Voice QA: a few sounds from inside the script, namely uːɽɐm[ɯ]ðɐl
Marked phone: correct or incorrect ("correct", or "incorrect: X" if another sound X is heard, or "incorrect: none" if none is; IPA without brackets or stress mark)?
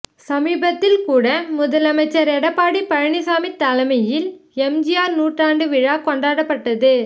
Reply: incorrect: ʊ